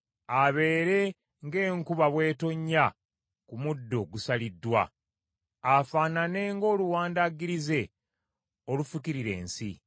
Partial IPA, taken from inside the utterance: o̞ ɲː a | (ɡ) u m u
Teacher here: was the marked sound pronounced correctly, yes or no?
no